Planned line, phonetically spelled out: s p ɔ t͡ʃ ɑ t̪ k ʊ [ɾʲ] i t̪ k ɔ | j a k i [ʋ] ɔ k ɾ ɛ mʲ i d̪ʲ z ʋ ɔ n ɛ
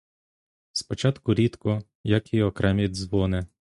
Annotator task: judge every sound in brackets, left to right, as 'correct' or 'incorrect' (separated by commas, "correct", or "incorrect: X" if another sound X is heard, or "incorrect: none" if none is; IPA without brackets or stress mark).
correct, incorrect: none